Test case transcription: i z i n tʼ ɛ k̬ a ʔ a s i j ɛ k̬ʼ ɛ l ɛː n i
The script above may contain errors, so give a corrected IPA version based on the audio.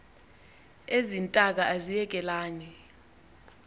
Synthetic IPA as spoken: e z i n tʼ a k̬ a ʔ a z i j ɛ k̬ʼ ɛ l aː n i